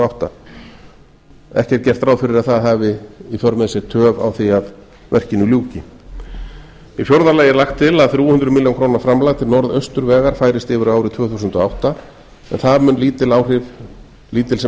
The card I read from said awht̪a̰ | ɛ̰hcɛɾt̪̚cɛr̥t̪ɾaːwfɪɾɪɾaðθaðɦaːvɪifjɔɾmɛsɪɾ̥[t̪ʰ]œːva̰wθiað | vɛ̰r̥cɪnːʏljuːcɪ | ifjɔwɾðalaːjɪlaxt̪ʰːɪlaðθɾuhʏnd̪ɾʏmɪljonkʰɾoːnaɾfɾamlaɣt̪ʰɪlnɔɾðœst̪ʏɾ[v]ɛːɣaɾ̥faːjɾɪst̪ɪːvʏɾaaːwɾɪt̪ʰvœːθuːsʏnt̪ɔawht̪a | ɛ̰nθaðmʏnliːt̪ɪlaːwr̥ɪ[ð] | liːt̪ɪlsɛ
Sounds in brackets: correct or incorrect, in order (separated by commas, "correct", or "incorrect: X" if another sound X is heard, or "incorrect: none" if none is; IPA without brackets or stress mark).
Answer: correct, correct, incorrect: v